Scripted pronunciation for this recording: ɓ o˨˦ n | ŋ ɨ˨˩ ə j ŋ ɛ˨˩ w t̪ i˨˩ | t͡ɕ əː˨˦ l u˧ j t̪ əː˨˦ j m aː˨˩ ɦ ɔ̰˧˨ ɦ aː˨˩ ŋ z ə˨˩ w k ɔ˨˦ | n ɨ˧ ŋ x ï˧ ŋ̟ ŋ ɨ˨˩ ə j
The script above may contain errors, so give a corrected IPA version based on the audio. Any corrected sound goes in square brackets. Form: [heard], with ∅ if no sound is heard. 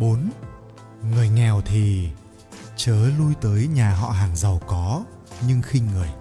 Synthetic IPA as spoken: ɓ o˨˦ n | ŋ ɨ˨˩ ə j ŋ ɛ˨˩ w [t̪ʰ] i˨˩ | t͡ɕ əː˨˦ l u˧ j t̪ əː˨˦ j [ɲ] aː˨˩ ɦ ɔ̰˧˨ ɦ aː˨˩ ŋ z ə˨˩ w k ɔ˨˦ | [ɲ] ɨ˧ ŋ x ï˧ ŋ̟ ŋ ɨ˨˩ ə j